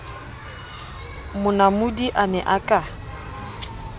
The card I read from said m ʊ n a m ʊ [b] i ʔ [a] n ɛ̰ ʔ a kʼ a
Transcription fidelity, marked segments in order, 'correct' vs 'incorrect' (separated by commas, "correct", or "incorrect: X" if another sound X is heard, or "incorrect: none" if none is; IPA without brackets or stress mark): incorrect: d, correct